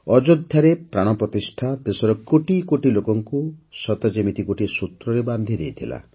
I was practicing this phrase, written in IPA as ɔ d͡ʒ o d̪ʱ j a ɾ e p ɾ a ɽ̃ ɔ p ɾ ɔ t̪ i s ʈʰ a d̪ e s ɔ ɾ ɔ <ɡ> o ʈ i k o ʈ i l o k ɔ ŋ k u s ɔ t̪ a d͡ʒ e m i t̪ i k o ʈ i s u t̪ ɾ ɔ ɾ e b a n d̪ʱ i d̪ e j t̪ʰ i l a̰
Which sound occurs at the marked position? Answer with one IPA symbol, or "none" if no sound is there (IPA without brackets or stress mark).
k